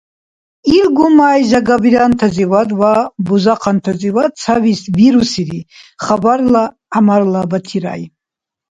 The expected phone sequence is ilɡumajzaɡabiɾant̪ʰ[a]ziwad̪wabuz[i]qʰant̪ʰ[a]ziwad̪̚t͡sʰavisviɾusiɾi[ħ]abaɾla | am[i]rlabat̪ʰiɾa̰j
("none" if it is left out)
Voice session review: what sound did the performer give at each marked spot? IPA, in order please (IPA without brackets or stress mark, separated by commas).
a, a, a, χ, a